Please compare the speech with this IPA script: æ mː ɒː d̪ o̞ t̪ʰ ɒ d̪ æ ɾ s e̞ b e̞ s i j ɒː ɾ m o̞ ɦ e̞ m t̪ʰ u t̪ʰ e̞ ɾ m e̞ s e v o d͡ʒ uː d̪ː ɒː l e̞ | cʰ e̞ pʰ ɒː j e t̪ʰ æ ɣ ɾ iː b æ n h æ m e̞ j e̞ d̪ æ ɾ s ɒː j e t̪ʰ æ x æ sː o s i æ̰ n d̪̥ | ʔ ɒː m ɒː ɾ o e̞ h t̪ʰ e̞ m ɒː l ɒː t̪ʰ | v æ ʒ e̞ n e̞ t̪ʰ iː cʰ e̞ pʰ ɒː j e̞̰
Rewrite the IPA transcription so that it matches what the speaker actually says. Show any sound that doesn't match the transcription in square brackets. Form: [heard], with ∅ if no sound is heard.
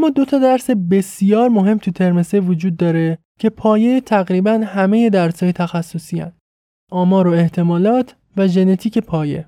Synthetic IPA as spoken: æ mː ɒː d̪ o̞ t̪ʰ ɒ d̪ æ ɾ s e̞ b e̞ s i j ɒː ɾ m o̞ ɦ e̞ m t̪ʰ u t̪ʰ e̞ ɾ m e̞ s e v o d͡ʒ uː d̪ː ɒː [ɾ] e̞ | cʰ e̞ pʰ ɒː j e t̪ʰ æ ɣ ɾ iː b æ n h æ m e̞ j e̞ d̪ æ ɾ s ɒː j e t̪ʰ æ x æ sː o s i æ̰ n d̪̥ | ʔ ɒː m ɒː ɾ o e̞ h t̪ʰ e̞ m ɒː l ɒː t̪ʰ | v æ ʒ e̞ n e̞ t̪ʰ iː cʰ e̞ pʰ ɒː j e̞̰